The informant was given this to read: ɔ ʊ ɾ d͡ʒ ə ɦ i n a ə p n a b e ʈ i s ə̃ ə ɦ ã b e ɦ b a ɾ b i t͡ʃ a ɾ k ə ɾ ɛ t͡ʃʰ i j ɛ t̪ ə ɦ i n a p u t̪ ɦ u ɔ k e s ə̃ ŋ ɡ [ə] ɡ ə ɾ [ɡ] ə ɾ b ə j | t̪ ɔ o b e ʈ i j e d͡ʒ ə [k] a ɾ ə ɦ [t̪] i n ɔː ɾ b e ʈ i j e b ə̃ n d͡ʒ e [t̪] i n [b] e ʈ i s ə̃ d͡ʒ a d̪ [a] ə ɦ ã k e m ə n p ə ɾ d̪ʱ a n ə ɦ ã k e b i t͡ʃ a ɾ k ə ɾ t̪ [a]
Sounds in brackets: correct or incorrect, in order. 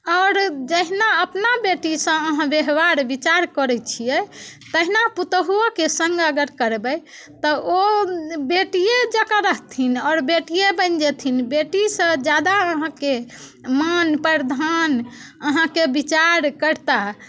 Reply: correct, incorrect, correct, incorrect, incorrect, correct, correct, correct

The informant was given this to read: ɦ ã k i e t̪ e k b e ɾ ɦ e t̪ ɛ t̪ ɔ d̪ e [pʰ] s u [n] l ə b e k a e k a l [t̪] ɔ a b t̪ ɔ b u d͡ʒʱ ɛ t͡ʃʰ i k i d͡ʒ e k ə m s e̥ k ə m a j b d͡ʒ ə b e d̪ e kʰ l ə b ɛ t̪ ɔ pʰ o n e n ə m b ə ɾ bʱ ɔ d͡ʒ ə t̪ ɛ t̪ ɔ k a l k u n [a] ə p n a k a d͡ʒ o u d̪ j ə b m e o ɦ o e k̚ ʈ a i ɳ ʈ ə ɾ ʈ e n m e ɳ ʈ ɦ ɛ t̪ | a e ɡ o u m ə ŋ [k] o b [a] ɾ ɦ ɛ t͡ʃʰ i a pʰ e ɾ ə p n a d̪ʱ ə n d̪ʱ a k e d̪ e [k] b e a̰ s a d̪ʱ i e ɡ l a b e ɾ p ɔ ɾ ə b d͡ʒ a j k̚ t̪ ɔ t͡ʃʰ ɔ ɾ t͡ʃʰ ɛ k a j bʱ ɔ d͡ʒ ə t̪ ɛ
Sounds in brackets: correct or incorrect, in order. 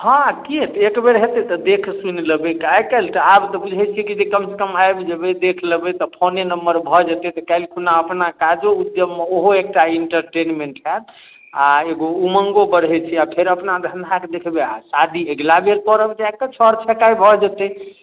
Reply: incorrect, correct, correct, correct, incorrect, incorrect, incorrect

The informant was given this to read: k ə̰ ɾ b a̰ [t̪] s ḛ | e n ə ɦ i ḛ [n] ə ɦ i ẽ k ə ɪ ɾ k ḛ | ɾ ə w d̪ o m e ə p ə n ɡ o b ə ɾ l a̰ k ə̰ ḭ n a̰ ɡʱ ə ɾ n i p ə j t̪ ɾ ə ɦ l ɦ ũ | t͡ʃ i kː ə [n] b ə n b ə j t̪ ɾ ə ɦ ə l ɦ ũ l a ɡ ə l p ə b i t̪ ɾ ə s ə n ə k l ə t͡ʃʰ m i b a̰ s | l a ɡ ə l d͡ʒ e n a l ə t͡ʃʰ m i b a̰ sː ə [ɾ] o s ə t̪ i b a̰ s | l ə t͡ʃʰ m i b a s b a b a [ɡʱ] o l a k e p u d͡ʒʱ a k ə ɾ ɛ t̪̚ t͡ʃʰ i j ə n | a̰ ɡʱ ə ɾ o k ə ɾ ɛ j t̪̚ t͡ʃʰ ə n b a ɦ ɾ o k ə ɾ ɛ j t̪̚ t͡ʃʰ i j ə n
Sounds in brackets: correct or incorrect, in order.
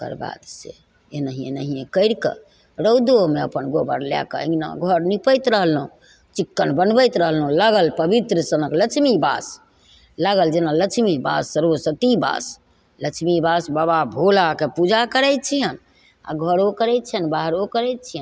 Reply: incorrect, correct, correct, correct, incorrect

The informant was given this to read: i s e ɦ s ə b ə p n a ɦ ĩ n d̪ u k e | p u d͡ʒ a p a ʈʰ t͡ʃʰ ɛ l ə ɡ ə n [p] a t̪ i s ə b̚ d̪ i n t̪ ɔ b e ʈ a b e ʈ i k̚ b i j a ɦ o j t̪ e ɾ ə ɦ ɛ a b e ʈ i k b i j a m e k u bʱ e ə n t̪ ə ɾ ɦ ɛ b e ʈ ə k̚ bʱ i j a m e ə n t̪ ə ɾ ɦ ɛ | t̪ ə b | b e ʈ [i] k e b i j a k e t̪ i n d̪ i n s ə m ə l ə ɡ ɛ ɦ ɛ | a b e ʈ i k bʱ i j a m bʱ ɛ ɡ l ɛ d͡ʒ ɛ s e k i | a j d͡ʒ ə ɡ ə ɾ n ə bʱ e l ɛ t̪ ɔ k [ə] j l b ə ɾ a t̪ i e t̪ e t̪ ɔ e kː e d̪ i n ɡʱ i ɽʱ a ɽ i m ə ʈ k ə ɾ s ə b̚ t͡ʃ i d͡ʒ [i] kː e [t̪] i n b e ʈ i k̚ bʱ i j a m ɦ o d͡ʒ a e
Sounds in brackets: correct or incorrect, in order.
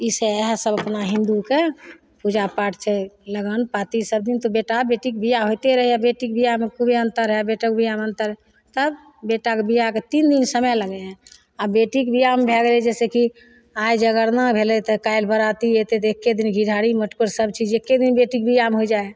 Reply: correct, incorrect, incorrect, incorrect, incorrect

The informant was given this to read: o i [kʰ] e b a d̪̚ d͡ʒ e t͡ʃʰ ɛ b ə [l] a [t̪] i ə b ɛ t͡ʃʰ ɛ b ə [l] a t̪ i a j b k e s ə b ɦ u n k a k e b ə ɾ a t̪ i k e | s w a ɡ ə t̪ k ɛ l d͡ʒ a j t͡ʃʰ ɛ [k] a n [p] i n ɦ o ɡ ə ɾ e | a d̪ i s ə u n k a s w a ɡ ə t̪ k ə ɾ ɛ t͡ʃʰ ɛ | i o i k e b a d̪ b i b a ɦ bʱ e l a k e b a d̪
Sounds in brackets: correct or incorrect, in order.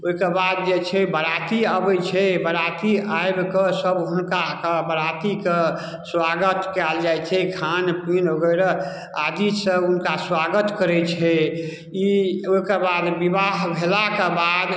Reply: incorrect, incorrect, correct, incorrect, incorrect, correct

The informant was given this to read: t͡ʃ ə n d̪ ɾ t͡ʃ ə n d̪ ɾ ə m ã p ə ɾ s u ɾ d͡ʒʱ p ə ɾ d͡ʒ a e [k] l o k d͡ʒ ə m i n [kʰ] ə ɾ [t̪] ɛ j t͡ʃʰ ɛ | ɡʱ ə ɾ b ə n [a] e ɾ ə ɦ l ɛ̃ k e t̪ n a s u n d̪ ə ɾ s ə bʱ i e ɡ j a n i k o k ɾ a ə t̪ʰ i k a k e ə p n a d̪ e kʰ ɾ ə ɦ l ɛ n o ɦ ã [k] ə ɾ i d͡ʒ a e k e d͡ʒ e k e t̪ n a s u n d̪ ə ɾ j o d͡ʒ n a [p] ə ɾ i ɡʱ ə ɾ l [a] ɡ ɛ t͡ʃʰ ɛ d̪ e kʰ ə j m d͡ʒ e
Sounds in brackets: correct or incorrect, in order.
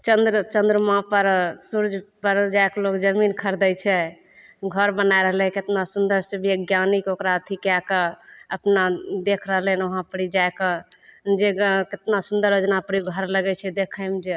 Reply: correct, correct, incorrect, correct, incorrect, correct, incorrect

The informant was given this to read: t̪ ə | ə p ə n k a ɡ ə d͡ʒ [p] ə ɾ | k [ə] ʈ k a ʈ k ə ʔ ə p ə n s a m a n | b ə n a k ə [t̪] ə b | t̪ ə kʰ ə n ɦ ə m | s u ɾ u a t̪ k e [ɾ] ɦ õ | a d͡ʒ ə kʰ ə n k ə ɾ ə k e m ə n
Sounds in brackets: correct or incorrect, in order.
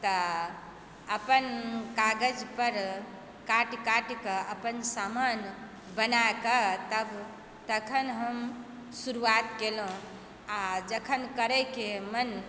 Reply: correct, incorrect, correct, incorrect

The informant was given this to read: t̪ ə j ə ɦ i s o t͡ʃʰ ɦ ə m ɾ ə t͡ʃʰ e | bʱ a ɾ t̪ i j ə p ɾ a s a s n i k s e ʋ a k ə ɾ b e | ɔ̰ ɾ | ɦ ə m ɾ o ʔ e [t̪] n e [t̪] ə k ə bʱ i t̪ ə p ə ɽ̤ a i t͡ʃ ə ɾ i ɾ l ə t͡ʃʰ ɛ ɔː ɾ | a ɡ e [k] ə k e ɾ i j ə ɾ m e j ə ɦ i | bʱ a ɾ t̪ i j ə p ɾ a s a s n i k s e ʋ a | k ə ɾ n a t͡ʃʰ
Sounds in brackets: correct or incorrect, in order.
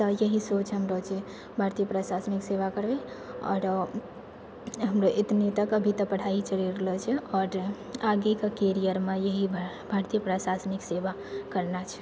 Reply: correct, correct, correct

